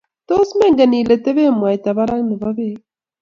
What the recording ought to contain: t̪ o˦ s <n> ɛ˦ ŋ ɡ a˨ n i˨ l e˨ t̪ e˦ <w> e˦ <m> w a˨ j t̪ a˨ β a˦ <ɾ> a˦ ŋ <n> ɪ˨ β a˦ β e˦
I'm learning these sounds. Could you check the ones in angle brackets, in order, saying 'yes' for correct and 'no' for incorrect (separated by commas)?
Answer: no, no, yes, yes, yes